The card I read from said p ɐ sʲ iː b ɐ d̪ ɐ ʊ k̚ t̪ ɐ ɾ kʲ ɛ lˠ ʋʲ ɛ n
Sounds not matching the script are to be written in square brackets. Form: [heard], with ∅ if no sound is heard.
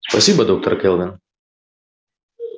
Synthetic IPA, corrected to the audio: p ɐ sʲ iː b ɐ d̪ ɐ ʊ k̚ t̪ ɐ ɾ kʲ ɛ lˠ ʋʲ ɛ n